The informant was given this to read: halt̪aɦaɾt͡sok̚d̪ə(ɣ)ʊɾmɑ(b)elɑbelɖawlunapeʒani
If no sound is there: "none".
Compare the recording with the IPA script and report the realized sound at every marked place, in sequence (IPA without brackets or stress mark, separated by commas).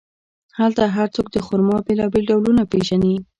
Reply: x, b